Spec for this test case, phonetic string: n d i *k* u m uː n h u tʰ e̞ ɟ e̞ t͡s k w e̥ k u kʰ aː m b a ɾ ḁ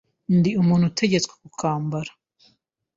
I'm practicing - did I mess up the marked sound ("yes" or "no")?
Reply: yes